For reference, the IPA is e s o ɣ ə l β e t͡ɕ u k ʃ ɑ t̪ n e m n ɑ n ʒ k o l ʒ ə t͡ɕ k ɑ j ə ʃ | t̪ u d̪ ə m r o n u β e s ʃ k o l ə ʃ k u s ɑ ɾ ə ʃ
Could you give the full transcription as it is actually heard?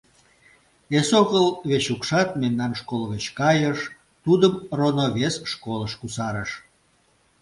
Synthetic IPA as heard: e s o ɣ ə l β e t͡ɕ u k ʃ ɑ t̪ m e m n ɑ n ʃ k o l ɣ ə t͡ɕ k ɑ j ə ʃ | t̪ u d̪ ə m r o n o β e s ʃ k o l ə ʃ k u s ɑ ɾ ə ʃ